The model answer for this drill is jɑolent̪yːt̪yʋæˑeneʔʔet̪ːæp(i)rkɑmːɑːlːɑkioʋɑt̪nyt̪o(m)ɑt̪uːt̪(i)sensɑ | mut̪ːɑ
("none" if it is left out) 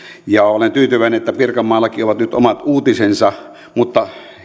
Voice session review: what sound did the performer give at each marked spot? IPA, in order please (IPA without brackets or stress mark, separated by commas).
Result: i, m, i